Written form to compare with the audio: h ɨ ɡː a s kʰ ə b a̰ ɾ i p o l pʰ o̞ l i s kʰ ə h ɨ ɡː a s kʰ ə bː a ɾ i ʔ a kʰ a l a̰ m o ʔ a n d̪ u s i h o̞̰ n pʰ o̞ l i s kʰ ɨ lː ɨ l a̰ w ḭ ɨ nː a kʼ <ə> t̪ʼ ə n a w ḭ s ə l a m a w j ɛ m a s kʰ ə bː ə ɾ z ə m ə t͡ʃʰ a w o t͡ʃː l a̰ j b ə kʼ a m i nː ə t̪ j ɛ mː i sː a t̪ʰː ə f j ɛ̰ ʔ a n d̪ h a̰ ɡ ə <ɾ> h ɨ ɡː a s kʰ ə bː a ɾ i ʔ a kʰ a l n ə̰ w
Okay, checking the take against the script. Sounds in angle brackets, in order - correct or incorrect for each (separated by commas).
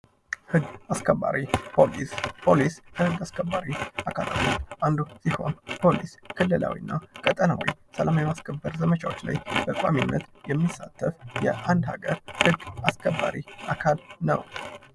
correct, correct